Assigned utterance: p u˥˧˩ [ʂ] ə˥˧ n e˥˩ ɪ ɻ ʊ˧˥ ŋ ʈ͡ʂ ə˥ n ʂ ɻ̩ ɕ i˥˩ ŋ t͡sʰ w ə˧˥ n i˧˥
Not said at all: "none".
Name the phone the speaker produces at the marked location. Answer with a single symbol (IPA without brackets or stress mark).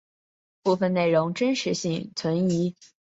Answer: f